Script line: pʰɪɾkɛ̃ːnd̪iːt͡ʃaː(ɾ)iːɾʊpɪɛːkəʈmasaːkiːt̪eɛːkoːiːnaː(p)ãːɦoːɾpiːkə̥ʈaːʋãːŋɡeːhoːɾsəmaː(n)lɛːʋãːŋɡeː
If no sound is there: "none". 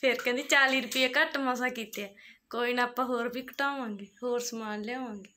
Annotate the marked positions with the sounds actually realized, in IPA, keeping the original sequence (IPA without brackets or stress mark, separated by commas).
l, p, n